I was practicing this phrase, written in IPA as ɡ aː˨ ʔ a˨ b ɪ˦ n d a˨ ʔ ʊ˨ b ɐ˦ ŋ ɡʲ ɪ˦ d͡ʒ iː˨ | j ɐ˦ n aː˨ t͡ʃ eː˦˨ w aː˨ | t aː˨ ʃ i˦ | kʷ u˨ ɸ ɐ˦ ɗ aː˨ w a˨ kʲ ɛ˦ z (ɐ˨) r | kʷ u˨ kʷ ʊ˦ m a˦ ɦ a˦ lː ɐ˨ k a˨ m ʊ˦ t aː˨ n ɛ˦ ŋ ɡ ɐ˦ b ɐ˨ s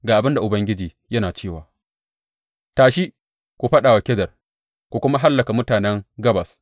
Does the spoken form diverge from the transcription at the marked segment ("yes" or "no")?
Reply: no